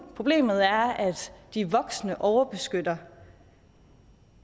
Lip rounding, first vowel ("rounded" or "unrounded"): rounded